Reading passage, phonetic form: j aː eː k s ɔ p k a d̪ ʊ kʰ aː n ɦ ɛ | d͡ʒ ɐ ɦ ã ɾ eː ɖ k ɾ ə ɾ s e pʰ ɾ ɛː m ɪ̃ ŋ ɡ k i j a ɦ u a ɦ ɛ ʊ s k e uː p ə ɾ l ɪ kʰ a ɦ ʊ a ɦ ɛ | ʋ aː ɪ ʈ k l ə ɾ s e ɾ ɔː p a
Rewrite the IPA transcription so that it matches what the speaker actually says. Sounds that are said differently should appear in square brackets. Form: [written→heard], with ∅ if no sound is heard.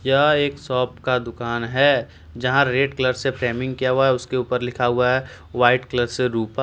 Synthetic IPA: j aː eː k s [ɔ→ɔː] p k a d̪ ʊ [kʰ→k] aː n ɦ ɛ | d͡ʒ ɐ ɦ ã ɾ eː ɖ k [ɾ→l] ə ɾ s e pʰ ɾ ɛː m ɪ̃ ŋ ɡ k i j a ɦ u a ɦ ɛ ʊ s k e uː p ə ɾ l ɪ kʰ a ɦ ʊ a ɦ ɛ | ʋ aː ɪ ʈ k l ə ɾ s e ɾ [ɔː→uː] p a